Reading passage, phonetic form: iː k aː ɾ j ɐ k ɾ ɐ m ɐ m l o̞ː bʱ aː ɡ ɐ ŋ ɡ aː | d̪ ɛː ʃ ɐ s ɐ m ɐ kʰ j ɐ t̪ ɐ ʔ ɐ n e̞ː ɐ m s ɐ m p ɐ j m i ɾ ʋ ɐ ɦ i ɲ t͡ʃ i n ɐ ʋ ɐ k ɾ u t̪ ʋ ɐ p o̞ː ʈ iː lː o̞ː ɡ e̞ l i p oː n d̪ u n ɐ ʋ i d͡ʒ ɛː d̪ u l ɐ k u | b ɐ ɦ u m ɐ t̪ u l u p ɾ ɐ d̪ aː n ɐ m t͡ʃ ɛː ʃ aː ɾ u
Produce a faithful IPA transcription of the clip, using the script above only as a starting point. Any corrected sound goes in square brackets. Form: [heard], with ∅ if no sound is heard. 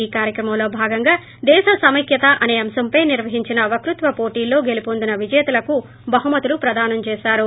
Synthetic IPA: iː k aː ɾ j ɐ k ɾ ɐ m ɐ m l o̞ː bʱ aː ɡ ɐ ŋ ɡ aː | d̪ ɛː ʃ ɐ s ɐ m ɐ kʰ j ɐ t̪ ɐ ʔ ɐ n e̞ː ɐ m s ɐ m p ɐ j [n] i ɾ ʋ ɐ ɦ i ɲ t͡ʃ i n ɐ ʋ ɐ k ɾ u t̪ ʋ ɐ p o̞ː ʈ iː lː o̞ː ɡ e̞ l i p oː n d̪ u n ɐ ʋ i d͡ʒ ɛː [t̪] u l ɐ k u | b ɐ ɦ u m ɐ t̪ u l u p ɾ ɐ d̪ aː n ɐ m t͡ʃ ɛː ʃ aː ɾ u